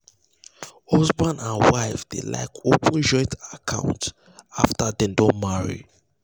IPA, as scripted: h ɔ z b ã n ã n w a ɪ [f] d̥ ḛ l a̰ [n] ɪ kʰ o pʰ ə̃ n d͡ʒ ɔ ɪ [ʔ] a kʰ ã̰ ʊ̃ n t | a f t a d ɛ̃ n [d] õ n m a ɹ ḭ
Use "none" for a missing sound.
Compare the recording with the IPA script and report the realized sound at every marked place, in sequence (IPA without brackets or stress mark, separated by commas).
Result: f, none, t, d